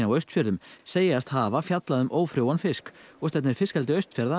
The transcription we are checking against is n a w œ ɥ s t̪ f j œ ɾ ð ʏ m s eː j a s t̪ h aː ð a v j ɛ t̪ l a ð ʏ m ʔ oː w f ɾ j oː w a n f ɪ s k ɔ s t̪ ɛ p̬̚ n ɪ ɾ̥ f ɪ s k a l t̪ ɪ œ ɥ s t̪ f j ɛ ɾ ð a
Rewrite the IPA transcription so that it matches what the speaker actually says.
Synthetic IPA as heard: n a w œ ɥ s t̪ f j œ ɾ ð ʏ m s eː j a s t̪ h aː v a f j a t̪ l a ð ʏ m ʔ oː w f ɾ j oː w a n f ɪ s k ɔ s t̪ ɛ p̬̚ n ɪ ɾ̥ f ɪ s k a l t̪ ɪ œ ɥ s t̪ f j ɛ ɾ ð a